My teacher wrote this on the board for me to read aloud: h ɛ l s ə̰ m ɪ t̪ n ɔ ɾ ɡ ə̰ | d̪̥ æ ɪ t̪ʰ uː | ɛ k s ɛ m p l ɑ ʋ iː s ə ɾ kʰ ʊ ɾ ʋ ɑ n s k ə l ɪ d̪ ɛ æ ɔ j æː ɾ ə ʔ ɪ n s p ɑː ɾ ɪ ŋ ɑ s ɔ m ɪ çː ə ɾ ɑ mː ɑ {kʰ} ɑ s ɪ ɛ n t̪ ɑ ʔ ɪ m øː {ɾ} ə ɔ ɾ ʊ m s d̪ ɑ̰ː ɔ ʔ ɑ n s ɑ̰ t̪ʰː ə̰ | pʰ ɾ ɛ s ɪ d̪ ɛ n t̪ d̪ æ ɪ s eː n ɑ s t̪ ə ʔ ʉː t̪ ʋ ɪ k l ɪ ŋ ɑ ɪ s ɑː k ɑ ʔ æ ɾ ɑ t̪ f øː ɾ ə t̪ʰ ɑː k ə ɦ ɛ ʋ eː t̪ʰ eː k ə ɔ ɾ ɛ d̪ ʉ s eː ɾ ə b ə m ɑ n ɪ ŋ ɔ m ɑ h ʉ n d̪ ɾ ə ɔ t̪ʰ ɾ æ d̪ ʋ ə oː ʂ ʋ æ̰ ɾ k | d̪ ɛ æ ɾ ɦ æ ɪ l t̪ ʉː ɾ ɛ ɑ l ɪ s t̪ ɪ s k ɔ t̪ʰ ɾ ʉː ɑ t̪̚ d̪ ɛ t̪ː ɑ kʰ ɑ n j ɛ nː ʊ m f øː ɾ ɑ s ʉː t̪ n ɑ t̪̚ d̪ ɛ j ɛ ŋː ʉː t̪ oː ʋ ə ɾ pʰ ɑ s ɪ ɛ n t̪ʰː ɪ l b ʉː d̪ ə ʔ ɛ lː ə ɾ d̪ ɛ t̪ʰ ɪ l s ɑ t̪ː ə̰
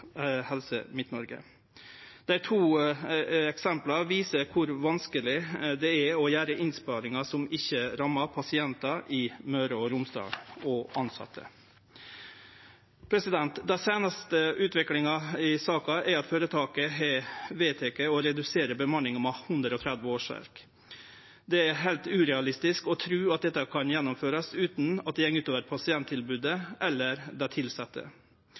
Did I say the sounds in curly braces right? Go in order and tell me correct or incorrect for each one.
incorrect: pʰ, correct

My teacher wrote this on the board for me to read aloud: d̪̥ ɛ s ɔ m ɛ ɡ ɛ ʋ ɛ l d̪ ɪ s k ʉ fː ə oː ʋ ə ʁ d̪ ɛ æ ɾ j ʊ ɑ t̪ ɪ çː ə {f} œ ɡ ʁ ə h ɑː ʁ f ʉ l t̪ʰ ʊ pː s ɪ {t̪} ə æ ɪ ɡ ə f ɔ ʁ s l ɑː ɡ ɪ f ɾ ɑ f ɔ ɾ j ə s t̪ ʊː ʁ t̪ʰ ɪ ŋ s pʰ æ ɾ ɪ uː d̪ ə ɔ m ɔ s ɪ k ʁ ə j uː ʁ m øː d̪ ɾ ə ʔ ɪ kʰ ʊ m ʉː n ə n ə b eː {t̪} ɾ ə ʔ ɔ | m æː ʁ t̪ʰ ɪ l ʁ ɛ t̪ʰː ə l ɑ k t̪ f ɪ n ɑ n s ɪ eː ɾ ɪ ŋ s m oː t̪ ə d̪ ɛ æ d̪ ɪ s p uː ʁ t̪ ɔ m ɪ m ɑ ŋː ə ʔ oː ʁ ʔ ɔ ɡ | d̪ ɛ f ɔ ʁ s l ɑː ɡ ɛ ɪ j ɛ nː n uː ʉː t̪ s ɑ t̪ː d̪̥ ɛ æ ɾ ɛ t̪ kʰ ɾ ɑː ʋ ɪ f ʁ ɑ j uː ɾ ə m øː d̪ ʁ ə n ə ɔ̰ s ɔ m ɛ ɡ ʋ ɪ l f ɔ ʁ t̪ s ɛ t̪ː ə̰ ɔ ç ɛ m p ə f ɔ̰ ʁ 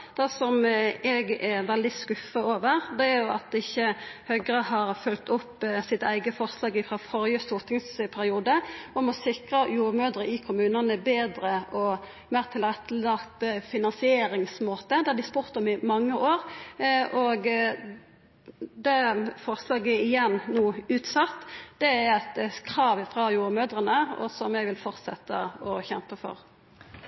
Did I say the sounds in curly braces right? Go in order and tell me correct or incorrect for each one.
incorrect: h, correct, incorrect: d̪

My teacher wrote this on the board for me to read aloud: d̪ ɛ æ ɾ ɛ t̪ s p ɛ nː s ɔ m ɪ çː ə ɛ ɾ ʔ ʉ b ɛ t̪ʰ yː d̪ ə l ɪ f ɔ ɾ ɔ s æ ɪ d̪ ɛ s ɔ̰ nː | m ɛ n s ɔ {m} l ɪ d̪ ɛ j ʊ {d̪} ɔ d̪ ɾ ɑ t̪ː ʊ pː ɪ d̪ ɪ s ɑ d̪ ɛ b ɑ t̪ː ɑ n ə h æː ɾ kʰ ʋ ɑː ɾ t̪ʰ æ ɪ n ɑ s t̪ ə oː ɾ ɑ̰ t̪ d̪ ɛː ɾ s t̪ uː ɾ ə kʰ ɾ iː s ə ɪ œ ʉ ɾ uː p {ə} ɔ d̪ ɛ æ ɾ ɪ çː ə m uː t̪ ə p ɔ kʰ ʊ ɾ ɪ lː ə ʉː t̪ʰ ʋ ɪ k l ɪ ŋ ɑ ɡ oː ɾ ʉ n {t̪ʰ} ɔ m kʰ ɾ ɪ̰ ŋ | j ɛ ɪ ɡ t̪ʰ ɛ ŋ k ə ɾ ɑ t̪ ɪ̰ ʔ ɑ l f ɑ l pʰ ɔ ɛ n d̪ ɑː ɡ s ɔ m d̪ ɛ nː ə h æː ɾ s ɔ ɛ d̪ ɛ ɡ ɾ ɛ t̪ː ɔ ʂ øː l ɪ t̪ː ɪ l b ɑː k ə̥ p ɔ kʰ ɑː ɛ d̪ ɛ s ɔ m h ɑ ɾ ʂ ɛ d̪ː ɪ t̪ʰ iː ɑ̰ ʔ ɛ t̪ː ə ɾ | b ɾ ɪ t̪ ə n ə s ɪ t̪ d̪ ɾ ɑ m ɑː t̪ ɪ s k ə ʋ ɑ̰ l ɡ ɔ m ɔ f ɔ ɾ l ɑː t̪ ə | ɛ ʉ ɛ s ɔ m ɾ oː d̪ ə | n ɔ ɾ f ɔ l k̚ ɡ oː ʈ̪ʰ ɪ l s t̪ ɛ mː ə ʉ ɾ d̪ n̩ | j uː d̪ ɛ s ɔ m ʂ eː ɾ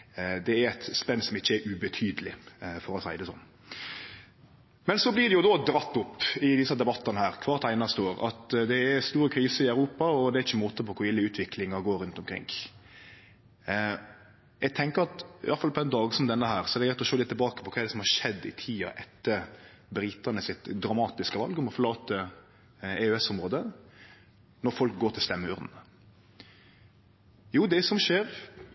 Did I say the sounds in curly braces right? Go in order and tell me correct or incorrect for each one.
incorrect: b, correct, incorrect: ɑ, incorrect: t̪

